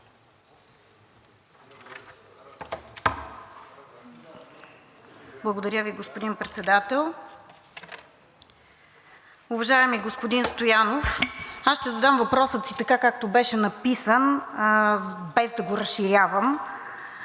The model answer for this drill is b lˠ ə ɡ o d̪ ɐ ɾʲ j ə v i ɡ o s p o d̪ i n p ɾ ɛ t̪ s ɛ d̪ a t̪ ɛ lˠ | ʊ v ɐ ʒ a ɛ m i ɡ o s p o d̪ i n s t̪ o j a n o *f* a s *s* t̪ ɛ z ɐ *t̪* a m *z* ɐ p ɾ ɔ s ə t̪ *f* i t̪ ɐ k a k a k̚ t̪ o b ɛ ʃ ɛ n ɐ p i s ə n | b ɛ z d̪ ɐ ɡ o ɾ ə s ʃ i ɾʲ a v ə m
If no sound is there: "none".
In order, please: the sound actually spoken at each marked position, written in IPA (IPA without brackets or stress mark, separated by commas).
f, ʃ, d̪, v, s